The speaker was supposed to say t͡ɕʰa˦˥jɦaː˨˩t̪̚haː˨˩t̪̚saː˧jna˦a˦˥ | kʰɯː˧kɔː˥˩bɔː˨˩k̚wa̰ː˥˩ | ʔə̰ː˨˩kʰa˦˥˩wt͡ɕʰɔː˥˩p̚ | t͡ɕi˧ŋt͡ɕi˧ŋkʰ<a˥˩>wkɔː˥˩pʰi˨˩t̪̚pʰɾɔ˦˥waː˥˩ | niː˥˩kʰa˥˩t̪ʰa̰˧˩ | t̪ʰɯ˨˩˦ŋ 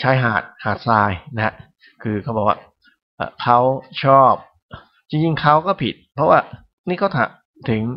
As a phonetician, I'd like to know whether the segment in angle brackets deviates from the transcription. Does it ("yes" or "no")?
yes